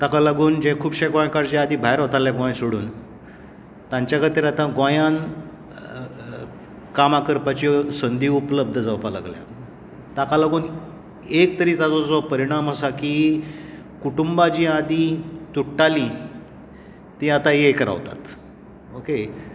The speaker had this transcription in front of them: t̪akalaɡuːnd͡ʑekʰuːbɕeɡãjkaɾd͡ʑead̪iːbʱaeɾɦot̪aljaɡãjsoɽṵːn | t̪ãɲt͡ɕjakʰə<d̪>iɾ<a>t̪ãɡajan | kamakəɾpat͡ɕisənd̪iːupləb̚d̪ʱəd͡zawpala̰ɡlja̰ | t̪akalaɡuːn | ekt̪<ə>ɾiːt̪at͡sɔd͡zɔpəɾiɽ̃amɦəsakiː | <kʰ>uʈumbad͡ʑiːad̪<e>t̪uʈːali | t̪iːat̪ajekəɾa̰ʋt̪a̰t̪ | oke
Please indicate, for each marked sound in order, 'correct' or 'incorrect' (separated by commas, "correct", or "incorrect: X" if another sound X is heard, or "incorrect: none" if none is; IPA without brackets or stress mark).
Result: incorrect: t̪, correct, correct, incorrect: k, incorrect: i